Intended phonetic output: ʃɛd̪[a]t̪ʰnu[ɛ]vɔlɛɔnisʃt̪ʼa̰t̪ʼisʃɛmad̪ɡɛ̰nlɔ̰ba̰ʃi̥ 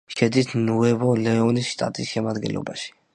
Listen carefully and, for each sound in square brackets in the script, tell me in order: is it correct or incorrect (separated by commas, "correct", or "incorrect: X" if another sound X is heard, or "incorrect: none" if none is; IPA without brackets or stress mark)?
incorrect: i, correct